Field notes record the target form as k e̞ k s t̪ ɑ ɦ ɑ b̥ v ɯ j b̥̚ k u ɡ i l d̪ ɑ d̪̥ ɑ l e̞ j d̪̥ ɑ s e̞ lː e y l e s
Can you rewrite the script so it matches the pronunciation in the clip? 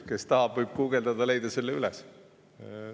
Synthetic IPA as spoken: k e̞ s t̪ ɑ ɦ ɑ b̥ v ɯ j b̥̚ k u ɡ e l d̪ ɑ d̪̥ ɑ l e̞ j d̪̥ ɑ s e̞ lː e y l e s